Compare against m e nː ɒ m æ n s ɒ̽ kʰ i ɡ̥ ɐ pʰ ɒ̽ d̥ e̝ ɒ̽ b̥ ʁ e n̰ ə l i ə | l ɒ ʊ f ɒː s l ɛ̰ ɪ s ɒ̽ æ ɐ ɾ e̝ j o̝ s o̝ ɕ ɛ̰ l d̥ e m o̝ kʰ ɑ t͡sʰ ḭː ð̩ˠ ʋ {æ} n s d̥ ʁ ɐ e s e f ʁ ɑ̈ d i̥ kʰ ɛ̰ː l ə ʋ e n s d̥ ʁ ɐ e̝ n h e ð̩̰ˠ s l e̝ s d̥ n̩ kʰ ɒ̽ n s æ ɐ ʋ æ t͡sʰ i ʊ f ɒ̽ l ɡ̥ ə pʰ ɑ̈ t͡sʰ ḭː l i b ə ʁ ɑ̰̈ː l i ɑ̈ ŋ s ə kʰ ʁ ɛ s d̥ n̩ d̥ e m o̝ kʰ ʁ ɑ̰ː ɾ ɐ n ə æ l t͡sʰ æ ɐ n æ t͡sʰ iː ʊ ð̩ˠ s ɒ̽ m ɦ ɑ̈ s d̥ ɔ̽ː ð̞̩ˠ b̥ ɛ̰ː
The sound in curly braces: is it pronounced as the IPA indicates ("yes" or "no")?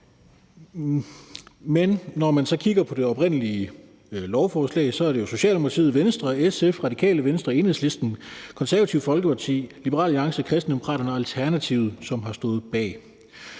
no